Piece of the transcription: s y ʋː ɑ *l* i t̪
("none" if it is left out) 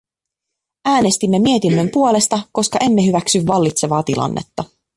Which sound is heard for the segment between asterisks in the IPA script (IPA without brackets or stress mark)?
lː